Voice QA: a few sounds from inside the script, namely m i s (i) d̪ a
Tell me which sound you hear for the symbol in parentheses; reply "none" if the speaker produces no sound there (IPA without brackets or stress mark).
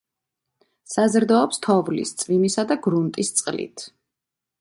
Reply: a